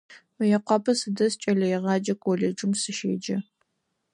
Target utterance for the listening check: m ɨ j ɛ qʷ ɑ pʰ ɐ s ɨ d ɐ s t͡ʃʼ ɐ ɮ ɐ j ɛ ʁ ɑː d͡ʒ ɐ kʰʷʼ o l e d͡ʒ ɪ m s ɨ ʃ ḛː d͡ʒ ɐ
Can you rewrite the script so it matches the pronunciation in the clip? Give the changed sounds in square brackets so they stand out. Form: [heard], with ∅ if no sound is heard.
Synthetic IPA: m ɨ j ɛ qʷ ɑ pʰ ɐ s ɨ d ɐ s t͡ʃʼ ɐ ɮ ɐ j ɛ ʁ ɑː d͡ʒ ɐ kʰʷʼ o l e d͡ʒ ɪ m s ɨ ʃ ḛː d͡ʒ ɐ